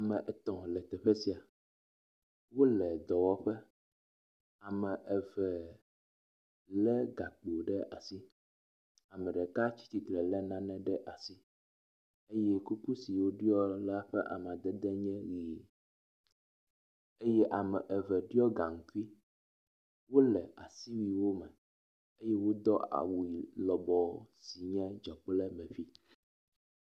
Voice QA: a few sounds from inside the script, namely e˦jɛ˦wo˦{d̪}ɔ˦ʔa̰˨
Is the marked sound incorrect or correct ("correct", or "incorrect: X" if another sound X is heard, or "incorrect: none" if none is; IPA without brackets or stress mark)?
correct